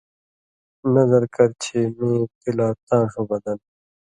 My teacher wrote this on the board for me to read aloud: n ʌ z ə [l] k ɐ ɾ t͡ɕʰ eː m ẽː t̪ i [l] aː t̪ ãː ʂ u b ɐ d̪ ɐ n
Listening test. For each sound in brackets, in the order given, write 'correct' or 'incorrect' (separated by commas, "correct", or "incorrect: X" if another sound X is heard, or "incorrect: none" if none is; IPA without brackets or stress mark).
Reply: incorrect: ɾ, correct